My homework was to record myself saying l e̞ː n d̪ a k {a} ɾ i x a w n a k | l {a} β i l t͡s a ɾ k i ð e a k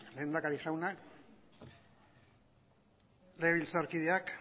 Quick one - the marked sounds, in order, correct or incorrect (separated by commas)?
correct, incorrect